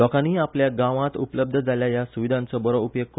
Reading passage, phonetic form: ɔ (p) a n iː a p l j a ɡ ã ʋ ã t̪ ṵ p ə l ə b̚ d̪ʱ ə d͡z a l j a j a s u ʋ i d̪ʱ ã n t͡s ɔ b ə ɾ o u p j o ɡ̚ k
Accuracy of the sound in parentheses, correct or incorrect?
incorrect